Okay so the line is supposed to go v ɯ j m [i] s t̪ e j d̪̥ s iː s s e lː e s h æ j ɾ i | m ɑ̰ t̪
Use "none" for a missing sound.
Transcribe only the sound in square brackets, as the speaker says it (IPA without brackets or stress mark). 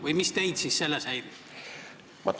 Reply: i